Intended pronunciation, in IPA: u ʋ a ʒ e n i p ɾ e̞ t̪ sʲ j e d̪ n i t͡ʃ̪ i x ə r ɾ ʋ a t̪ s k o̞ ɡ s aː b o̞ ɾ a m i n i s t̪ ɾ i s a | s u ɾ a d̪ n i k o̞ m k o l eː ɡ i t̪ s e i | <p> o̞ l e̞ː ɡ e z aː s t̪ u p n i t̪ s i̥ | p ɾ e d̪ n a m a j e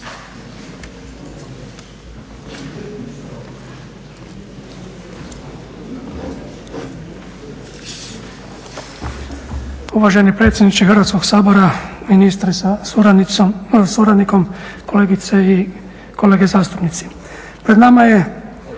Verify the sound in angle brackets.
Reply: incorrect: k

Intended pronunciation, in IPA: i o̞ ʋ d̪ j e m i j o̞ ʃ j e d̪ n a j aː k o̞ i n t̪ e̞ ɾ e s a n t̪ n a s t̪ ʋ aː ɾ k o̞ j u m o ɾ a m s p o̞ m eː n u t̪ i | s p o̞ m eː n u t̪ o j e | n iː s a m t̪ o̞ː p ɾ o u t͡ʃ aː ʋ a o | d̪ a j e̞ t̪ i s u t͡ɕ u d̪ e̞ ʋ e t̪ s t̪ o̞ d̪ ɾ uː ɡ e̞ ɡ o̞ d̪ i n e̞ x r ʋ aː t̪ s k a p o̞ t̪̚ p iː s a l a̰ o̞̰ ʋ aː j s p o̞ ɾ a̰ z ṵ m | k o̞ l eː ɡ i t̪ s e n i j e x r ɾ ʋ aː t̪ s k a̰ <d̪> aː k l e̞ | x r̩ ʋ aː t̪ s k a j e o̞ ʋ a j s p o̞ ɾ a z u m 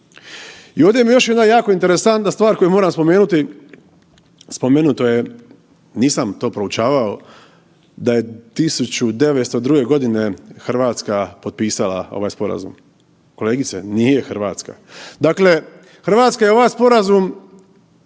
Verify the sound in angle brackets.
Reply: correct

